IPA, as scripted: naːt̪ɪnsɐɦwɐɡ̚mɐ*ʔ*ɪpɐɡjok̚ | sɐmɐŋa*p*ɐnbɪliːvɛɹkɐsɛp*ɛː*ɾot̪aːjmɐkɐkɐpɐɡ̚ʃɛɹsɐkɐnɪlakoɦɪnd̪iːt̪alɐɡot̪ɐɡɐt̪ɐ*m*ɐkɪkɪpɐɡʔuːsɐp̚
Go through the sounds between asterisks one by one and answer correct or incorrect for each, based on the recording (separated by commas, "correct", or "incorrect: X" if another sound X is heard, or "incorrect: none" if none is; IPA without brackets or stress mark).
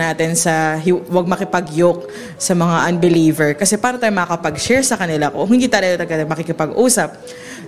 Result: incorrect: k, incorrect: ʔ, incorrect: aː, correct